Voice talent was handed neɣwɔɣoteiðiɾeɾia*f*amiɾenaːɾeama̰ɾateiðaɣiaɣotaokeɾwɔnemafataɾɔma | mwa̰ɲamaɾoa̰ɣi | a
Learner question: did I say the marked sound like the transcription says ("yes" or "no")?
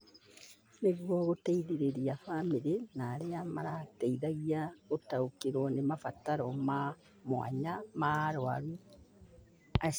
yes